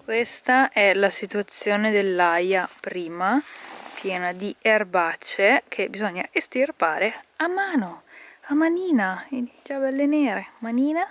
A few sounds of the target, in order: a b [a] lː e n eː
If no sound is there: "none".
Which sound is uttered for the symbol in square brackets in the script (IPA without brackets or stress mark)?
ɛ